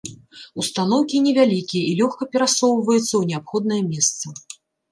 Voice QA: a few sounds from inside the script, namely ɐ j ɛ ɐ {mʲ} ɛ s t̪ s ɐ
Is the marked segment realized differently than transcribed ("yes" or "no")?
no